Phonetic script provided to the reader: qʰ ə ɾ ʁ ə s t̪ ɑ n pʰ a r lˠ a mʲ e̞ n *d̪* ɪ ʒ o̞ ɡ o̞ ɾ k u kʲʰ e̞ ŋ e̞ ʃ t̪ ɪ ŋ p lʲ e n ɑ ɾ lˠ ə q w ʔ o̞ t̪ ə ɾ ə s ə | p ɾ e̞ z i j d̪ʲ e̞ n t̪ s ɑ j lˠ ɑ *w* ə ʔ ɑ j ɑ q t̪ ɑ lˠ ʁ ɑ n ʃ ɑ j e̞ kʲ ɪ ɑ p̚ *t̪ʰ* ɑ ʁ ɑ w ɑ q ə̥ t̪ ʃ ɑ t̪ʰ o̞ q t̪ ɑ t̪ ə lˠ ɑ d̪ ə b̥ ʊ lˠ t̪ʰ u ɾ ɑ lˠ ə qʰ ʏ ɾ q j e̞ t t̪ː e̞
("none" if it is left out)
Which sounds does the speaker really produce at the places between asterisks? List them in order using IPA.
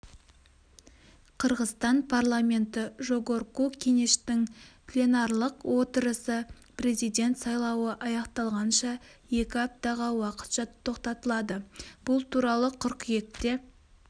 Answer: t̪, w, t̪

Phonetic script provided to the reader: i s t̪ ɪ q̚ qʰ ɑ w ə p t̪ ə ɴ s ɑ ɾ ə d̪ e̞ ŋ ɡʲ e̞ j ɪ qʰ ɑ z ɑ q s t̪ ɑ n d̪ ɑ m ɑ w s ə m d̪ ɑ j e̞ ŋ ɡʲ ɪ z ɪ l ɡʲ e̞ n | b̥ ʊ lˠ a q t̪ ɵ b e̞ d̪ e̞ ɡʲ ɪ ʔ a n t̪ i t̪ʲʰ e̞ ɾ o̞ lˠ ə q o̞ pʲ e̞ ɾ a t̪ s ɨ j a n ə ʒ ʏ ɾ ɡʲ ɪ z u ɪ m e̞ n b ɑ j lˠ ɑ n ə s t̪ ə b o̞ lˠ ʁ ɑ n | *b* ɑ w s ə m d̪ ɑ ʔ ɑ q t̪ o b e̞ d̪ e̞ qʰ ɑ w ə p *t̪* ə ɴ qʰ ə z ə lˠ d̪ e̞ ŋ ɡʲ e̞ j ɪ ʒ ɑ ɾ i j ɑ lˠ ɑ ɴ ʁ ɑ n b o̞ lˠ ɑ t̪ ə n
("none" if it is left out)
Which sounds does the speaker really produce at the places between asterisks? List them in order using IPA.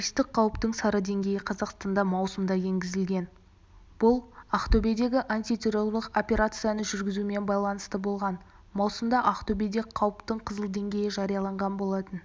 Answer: m, t̪

